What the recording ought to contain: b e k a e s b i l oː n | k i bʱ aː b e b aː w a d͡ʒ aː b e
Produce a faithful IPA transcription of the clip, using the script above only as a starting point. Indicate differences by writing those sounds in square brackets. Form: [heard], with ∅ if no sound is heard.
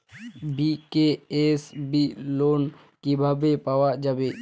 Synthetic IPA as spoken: b [i] k [e] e s b i l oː n | k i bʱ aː b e [p] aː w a d͡ʒ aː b e